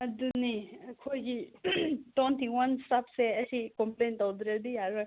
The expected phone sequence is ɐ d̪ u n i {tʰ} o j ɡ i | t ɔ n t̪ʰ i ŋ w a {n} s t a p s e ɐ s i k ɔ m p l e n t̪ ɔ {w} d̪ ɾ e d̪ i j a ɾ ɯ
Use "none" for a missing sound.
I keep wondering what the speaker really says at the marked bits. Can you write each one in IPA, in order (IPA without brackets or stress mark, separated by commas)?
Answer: kʰ, n, w